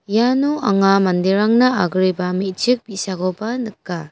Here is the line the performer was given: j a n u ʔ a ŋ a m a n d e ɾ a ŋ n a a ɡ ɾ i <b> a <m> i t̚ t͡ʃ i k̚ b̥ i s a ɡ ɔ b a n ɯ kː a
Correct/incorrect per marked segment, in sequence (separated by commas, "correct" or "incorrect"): correct, correct